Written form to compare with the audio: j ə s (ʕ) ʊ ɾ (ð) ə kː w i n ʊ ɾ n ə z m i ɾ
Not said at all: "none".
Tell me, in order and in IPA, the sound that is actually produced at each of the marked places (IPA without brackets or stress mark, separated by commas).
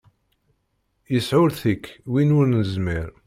ʕ, θ